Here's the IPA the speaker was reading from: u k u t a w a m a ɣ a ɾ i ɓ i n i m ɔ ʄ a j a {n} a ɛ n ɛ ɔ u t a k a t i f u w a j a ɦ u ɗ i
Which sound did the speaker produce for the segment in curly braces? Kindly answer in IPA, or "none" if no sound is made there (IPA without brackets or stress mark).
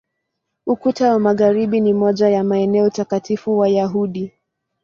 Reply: m